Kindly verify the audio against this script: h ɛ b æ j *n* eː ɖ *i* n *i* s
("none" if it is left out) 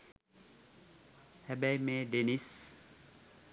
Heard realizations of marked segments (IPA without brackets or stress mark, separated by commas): m, e, i